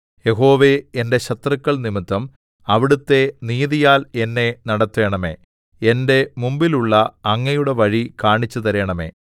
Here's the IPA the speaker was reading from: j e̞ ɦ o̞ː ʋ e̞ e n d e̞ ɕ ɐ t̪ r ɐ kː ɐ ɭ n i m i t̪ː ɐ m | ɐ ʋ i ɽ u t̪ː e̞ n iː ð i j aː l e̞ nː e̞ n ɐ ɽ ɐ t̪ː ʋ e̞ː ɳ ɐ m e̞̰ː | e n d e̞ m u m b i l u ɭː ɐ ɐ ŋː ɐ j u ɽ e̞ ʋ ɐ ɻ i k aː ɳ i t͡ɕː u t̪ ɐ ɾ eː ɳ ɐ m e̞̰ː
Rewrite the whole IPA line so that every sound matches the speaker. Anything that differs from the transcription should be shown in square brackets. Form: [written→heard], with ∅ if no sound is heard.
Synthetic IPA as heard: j e̞ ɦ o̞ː ʋ e̞ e n d e̞ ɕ ɐ t̪ r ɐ kː ɐ ɭ n i m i t̪ː ɐ m | ɐ ʋ i ɽ u t̪ː e̞ n iː ð i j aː l e̞ nː e̞ n ɐ ɽ ɐ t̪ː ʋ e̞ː ɳ ɐ m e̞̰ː | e n d e̞ m u m b i l u ɭː ɐ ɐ ŋː ɐ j u ɽ e̞ ʋ ɐ ɻ i k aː ɳ i t͡ɕː u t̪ ɐ ɾ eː ɳ ɐ m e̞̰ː